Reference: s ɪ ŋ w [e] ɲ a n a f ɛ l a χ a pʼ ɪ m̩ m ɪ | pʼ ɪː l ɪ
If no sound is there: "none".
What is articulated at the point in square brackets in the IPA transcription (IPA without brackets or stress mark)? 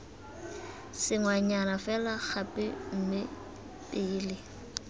a